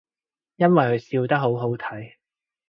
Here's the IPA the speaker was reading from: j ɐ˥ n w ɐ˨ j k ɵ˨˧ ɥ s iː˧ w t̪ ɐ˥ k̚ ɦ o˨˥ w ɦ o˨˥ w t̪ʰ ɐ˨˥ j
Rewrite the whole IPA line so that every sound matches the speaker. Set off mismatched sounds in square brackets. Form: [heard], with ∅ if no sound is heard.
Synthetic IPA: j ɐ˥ n w ɐ˨ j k ɵ˨˧ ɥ s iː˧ w t̪ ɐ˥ k̚ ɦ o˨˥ w ɦ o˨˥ w t̪ʰ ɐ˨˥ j